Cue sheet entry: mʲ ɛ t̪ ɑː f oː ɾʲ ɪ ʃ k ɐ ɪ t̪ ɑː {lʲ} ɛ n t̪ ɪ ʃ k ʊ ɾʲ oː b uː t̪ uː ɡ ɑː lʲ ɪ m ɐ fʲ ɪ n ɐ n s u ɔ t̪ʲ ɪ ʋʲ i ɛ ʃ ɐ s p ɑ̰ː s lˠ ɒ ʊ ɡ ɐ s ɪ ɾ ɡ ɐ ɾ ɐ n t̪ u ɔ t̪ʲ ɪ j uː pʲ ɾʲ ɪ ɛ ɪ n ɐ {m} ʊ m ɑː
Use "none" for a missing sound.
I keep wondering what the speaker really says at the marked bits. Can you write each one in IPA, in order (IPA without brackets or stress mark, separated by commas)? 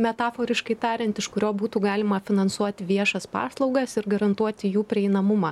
ɾʲ, m